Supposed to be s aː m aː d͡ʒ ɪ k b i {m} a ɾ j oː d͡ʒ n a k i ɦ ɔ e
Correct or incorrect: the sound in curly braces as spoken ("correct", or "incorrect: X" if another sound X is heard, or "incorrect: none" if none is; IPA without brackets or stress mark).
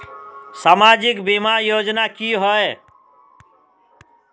correct